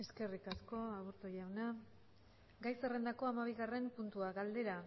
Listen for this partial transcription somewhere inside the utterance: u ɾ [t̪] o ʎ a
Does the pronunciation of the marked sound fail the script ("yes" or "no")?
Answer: no